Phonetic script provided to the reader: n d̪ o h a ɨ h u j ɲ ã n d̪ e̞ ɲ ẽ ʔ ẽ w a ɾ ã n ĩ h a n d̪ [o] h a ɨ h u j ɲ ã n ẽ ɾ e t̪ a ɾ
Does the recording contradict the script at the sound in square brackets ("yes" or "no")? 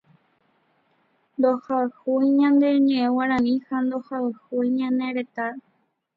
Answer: no